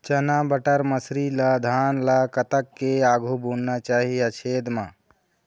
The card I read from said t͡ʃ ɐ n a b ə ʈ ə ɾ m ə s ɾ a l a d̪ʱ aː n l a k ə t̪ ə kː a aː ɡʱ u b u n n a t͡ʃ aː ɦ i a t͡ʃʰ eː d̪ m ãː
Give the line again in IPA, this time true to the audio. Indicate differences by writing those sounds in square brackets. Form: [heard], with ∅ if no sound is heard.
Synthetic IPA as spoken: t͡ʃ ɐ n a b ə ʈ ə ɾ m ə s ɾ [i] l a d̪ʱ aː n l a k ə t̪ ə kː [e] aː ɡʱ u b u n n a t͡ʃ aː ɦ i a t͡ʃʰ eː d̪ m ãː

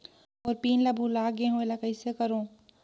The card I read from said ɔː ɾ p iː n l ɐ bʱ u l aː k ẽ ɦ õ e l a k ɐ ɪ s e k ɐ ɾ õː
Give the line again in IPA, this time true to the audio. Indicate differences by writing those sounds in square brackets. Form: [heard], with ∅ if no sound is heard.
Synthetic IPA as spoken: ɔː ɾ p iː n l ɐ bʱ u l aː [ɡ] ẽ ɦ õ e l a k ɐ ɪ s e k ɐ ɾ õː

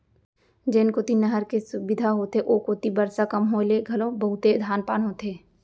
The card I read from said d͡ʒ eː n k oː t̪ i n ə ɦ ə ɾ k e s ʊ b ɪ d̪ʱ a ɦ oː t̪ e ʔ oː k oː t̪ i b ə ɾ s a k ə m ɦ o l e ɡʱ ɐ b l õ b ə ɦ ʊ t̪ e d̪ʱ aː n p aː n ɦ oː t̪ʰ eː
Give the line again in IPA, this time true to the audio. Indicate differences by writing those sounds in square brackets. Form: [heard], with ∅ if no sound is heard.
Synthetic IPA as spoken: d͡ʒ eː n k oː t̪ i n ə ɦ ə ɾ k e s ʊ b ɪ d̪ʱ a ɦ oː t̪ e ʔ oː k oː t̪ i b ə ɾ s a k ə m ɦ o l e ɡʱ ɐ [∅] l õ b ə ɦ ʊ t̪ e d̪ʱ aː n p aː n ɦ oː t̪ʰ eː

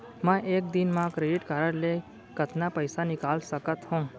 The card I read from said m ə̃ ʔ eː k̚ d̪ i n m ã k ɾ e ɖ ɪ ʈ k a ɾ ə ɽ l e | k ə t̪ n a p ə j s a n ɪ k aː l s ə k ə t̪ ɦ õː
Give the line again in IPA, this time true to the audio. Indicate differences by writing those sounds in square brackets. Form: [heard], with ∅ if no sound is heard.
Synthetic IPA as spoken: m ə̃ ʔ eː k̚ d̪ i n m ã k ɾ e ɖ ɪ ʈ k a ɾ ə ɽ l e | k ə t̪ n a p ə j s a n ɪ k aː l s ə k ə t̪ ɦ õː

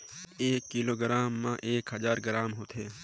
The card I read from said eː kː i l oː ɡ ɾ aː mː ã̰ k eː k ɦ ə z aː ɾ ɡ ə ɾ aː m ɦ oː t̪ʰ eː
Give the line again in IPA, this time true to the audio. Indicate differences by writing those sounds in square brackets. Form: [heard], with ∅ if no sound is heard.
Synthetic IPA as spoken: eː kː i l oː ɡ ɾ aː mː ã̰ [ʔ] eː k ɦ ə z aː ɾ ɡ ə ɾ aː m ɦ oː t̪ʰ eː

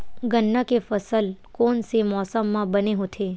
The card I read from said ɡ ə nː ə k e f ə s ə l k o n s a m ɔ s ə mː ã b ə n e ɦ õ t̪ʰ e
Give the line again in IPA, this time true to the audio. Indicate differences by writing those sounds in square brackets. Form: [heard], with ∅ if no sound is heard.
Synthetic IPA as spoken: ɡ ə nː ə k e f ə s ə l k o n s [e] m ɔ s ə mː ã b ə n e ɦ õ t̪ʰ e

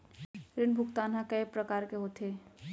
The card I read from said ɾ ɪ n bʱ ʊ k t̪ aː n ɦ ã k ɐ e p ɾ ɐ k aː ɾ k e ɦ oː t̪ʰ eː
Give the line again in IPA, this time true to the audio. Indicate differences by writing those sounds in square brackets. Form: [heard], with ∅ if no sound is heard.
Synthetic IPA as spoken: ɾ ɪ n bʱ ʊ k t̪ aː n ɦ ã k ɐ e p ɾ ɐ k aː ɾ k e ɦ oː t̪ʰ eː

